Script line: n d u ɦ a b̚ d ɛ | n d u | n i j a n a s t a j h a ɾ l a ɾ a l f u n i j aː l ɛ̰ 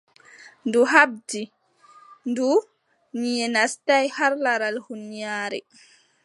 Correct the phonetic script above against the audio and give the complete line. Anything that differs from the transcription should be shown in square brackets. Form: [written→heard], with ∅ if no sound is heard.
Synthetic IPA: n d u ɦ a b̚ d [ɛ→i] | n d u | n i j [a→ɛ] n a s t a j h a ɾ l a ɾ a l [f→h] u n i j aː [l→ɾ] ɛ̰